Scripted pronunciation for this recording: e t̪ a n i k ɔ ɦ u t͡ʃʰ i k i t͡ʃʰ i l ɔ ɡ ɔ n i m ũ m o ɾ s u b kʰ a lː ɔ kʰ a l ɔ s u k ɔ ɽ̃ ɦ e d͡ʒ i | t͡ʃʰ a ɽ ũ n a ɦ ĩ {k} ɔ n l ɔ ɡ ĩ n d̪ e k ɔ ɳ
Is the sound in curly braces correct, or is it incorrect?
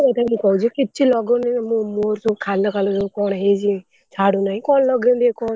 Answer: correct